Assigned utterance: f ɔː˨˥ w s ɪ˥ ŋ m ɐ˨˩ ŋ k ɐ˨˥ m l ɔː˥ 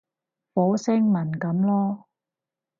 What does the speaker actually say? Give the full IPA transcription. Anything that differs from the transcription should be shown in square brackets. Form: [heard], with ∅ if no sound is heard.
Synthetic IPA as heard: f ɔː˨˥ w s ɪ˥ ŋ m ɐ˨˩ [n] k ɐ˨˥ m l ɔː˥